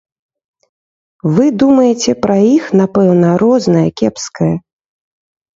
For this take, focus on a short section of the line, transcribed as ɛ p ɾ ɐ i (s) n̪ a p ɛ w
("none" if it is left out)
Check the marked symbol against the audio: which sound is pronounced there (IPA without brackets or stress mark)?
x